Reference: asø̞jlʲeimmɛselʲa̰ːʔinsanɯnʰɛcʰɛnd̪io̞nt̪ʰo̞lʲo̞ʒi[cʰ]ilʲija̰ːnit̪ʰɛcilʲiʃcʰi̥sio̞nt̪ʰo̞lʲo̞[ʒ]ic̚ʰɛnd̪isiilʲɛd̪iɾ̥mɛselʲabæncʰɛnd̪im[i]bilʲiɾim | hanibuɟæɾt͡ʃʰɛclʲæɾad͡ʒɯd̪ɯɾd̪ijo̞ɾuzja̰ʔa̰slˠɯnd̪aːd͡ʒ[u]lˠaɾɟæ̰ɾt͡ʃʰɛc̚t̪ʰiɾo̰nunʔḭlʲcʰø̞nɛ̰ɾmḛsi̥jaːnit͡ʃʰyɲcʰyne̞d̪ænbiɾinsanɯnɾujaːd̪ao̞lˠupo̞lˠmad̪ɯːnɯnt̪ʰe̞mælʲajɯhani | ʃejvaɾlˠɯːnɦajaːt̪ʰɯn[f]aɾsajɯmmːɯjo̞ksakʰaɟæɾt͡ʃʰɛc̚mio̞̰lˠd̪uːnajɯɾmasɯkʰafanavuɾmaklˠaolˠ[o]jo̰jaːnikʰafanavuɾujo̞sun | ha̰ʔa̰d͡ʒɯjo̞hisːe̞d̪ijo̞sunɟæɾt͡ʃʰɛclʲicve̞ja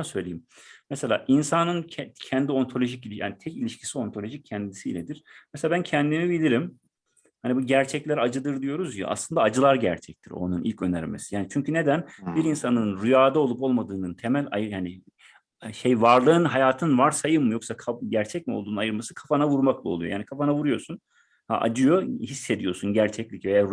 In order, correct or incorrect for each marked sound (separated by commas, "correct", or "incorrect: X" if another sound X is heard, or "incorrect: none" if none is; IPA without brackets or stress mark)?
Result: incorrect: c, correct, correct, incorrect: ɯ, incorrect: v, incorrect: u